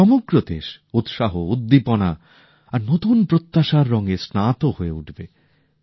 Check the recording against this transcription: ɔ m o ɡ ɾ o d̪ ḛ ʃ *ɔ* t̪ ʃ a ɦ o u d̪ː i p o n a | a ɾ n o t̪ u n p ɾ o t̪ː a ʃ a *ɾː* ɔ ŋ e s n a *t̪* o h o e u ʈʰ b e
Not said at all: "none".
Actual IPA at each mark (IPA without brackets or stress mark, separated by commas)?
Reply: u, ɾː, t̪